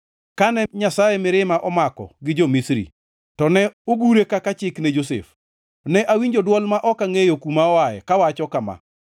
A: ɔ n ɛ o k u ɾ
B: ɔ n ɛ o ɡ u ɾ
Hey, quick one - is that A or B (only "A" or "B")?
B